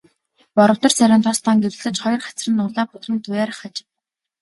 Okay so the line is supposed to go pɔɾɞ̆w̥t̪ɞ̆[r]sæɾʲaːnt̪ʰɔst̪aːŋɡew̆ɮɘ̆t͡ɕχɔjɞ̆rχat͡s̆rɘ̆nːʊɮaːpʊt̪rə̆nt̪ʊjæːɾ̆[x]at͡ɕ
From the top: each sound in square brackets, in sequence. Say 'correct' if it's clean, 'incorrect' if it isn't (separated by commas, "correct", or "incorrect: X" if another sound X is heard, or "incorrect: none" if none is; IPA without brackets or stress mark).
correct, incorrect: χ